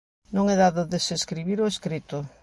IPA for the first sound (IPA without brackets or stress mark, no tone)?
n